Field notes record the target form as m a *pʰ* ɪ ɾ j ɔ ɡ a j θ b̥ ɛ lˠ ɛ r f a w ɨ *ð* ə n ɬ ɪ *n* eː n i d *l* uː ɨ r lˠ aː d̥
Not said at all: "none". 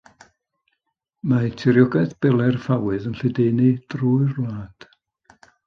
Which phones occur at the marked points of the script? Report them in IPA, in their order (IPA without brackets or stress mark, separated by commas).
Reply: tʰ, ð, d, r